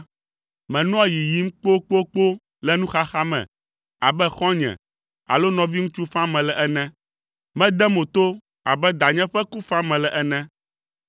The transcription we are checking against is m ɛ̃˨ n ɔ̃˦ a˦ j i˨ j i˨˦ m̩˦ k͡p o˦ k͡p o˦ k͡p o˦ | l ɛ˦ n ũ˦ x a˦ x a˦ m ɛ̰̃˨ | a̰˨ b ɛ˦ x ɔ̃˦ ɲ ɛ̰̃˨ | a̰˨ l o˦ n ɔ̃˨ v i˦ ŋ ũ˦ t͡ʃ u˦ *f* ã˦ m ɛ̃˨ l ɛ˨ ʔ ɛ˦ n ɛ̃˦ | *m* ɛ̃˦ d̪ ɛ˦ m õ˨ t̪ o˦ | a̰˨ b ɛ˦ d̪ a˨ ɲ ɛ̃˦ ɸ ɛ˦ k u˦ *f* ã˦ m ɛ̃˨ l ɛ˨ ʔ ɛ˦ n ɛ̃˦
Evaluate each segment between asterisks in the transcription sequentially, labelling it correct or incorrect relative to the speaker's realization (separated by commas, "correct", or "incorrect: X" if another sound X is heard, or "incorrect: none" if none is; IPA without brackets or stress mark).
correct, correct, correct